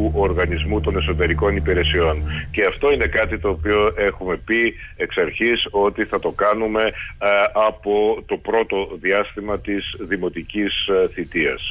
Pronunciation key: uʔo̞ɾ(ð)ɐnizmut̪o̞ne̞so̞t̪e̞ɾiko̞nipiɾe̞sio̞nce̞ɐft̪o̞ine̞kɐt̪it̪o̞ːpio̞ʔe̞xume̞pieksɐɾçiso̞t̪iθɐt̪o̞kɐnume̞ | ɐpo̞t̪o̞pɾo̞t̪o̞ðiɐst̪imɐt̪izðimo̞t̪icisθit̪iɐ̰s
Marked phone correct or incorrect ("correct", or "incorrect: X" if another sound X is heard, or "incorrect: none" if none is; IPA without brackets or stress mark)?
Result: incorrect: ɣ